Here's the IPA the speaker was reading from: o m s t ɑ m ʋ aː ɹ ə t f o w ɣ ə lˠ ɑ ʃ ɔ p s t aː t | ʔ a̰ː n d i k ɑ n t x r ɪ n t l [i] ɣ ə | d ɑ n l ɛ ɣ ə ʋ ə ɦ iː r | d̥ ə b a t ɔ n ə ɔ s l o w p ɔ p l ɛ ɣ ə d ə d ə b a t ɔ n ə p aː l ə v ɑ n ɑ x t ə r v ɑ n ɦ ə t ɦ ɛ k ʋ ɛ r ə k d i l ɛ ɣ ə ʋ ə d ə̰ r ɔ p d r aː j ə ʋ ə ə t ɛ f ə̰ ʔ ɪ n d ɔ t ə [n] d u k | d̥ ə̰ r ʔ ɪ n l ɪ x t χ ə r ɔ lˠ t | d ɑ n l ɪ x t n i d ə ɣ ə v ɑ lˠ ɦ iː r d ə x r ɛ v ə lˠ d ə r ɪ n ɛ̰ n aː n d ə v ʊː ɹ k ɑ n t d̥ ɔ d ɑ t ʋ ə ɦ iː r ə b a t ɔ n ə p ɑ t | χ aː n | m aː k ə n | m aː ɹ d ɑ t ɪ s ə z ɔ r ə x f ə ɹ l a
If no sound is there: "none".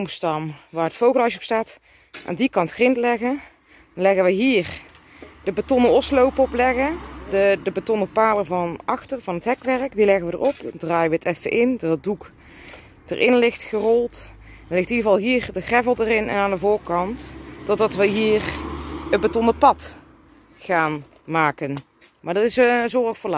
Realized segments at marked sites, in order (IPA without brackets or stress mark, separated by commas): ɛ, d